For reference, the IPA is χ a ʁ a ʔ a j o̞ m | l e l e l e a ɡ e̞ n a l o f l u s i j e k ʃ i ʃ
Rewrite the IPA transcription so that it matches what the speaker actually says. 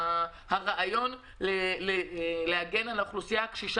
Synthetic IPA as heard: h a ʁ a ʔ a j o̞ n | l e l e l e a ɡ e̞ n a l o χ l u s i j a k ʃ i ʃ